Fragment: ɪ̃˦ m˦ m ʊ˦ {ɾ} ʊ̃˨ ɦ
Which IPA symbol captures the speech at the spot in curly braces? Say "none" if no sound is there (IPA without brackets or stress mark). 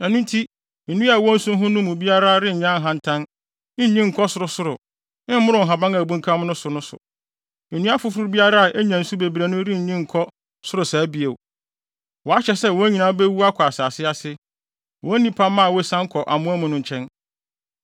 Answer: ɾ